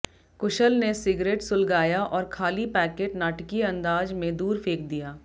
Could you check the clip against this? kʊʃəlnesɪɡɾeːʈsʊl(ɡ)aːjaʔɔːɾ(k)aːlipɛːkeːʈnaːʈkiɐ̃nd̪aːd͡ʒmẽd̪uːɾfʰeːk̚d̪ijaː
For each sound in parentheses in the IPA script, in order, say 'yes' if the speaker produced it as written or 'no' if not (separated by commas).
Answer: yes, no